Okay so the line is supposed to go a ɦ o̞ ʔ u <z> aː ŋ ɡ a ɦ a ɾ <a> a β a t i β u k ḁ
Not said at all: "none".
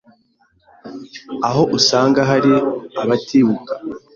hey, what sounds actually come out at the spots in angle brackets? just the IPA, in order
s, i

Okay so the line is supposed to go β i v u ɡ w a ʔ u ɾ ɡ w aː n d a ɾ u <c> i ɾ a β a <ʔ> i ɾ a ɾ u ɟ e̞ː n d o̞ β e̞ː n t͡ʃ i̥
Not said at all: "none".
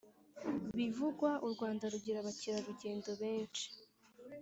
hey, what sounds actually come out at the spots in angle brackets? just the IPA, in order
ɟ, c

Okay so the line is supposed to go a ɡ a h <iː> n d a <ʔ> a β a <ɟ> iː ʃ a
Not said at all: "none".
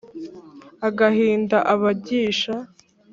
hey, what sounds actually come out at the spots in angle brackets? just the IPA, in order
iː, ʔ, ɟ

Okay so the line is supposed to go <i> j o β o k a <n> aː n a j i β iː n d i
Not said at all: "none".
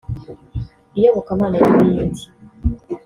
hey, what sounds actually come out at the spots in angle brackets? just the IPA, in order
i, m

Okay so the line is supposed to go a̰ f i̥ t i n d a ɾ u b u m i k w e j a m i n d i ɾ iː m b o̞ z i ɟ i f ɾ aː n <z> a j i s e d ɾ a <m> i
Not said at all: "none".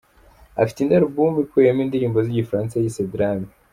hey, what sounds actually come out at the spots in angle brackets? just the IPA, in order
s, m

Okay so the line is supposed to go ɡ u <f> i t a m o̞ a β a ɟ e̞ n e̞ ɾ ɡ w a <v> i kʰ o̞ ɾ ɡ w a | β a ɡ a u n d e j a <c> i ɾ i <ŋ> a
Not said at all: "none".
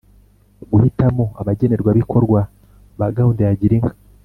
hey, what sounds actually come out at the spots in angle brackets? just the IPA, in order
h, β, ɟ, ŋ

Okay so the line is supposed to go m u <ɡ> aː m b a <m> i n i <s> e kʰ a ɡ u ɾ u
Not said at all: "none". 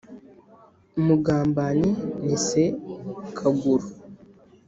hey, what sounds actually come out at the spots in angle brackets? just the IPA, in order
ɡ, n, s

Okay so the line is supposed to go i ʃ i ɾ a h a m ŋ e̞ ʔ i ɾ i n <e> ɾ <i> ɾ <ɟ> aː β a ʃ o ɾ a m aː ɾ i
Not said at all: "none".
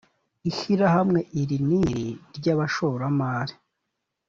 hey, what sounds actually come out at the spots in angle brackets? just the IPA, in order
i, i, ɟ

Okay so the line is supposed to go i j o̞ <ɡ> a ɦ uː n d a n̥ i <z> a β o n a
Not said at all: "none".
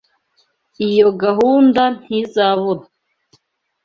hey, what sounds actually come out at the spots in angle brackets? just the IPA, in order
ɡ, z

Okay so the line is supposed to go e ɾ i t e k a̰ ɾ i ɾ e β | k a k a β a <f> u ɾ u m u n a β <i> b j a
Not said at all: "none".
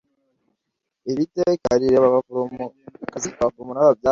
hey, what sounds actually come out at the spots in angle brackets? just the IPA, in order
f, a

